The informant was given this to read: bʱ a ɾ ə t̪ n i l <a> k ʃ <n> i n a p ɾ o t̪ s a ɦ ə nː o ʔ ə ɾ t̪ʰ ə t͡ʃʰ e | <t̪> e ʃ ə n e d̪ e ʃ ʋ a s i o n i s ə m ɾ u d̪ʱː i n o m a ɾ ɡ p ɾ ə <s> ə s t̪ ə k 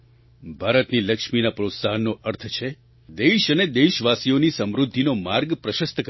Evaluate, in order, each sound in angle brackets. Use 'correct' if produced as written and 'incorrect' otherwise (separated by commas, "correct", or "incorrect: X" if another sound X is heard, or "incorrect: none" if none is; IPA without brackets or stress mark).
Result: incorrect: ə, incorrect: m, incorrect: d̪, incorrect: ʃ